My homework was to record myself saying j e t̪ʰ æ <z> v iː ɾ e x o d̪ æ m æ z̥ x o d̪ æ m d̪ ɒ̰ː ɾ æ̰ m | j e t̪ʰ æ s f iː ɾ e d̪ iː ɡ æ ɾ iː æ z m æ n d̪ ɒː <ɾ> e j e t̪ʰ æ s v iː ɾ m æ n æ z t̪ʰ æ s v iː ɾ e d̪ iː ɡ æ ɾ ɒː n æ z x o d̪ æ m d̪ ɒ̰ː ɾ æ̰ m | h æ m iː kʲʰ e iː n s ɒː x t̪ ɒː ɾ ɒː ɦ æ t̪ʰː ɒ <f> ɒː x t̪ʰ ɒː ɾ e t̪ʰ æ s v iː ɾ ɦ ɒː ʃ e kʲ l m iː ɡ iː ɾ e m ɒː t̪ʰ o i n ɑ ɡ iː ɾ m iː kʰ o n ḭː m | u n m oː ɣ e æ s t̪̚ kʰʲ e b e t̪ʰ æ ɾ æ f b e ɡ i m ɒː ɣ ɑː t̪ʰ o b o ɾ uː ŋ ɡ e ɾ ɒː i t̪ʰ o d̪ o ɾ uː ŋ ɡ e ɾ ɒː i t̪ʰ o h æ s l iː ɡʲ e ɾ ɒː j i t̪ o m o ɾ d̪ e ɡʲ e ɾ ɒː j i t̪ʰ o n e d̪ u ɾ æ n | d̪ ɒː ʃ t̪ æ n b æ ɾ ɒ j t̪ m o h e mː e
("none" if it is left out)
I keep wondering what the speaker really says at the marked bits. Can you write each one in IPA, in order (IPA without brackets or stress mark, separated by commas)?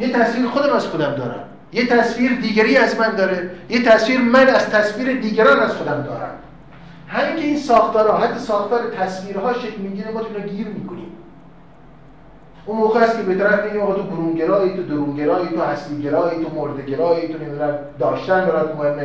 s, ɾ, s